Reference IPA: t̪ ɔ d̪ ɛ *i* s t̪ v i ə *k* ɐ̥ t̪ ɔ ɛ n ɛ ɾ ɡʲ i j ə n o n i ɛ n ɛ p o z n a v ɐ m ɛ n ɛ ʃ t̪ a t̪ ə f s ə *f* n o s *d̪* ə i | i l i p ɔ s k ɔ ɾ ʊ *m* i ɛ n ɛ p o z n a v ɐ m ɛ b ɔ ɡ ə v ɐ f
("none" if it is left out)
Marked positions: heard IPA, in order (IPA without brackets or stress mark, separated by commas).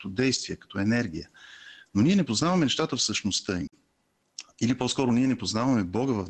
j, k, ʃ, t̪, n